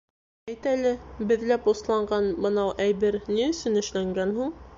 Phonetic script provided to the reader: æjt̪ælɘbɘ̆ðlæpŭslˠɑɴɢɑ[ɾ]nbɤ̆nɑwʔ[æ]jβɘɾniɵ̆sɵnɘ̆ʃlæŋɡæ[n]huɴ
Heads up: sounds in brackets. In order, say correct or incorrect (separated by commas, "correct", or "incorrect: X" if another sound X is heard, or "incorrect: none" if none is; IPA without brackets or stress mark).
incorrect: none, correct, correct